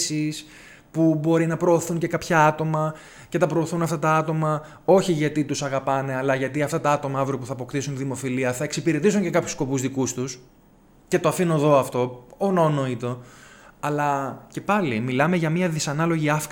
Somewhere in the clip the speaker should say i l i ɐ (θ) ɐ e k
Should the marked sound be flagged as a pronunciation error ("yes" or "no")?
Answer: no